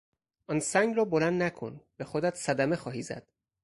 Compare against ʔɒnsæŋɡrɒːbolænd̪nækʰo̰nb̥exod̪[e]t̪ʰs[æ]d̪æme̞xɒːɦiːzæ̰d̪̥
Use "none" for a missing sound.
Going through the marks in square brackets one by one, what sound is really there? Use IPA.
æ, æ

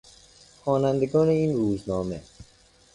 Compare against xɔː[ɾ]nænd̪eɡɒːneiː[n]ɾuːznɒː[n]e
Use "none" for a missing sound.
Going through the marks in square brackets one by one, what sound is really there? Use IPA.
none, n, m

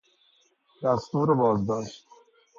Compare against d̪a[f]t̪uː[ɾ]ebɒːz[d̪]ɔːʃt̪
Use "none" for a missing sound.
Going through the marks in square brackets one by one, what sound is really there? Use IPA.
s, ɾ, d̪

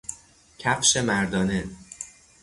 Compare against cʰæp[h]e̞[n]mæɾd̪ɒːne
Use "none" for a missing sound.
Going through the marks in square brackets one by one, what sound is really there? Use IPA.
ʃ, none

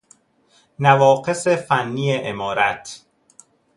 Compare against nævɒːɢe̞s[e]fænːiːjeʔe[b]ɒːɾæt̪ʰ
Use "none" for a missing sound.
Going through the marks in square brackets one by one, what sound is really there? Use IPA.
e, m

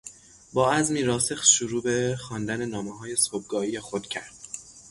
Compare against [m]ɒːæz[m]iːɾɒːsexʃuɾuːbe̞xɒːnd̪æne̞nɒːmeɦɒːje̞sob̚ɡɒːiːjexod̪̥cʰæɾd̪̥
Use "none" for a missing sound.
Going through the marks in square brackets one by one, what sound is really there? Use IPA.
b, m

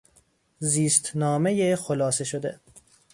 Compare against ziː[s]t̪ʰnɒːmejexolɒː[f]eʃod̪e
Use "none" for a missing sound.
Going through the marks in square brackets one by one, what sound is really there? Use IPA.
s, s

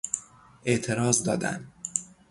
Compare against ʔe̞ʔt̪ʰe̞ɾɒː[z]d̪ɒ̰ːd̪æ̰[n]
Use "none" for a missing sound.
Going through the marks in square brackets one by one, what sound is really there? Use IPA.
z, n

